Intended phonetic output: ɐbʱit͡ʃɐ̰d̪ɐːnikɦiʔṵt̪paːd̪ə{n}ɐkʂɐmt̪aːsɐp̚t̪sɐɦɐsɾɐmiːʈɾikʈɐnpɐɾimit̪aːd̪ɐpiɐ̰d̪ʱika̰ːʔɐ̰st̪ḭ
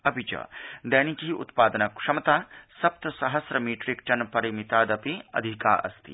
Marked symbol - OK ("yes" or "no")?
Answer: yes